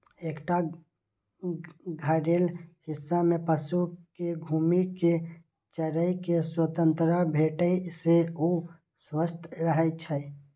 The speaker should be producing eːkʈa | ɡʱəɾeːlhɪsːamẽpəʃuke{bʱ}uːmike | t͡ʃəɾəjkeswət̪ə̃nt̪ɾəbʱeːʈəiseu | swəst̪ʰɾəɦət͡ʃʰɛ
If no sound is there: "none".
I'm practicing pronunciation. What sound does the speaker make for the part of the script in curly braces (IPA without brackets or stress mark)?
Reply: ɡʱ